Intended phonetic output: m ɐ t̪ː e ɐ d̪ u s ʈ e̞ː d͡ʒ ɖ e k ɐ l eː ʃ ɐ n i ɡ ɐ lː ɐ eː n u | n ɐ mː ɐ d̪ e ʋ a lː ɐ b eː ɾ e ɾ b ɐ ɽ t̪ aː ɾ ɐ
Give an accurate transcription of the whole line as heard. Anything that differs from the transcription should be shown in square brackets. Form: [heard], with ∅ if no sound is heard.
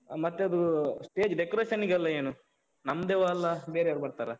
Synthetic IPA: m ɐ t̪ː e ɐ d̪ u s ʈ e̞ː d͡ʒ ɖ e k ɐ [ɾ] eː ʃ ɐ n i ɡ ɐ lː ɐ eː n u | n ɐ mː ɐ d̪ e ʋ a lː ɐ b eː ɾ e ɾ b ɐ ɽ t̪ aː ɾ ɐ